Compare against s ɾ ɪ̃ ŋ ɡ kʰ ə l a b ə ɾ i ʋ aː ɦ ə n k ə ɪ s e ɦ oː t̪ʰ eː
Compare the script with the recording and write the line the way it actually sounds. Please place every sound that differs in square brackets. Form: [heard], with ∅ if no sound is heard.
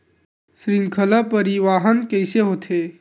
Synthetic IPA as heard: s ɾ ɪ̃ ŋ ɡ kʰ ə l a [p] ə ɾ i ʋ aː ɦ ə n k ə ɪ s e ɦ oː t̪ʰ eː